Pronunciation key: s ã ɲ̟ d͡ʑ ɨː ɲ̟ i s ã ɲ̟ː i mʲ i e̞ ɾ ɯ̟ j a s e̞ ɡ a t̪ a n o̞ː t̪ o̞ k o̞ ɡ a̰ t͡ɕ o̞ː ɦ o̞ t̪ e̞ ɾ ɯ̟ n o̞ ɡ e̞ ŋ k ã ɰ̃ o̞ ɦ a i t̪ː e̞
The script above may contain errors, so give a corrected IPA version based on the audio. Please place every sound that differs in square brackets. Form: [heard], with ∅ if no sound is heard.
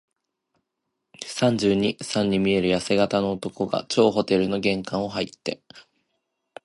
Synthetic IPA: s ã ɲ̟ d͡ʑ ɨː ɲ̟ i s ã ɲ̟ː i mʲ i e̞ ɾ ɯ̟ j a s e̞ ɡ a t̪ a n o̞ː t̪ o̞ k o̞ ɡ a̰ t͡ɕ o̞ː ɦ o̞ t̪ e̞ ɾ ɯ̟ n o̞ ɡ [ẽ̞] ŋ k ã ɰ̃ o̞ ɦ a i t̪ː e̞